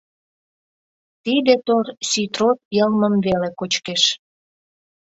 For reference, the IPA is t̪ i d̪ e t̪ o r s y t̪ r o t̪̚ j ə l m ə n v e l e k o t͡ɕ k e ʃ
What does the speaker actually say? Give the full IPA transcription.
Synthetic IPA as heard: t̪ i d̪ e t̪ o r s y t̪ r o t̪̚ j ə l m ə m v e l e k o t͡ɕ k e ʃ